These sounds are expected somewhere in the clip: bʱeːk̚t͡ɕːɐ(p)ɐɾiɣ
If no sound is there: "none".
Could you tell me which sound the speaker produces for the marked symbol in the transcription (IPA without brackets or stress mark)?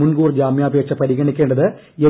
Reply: p